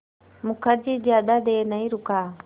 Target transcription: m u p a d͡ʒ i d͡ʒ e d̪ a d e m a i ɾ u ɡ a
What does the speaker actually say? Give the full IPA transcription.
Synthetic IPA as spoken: m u k a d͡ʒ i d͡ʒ a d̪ a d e n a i ɾ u k a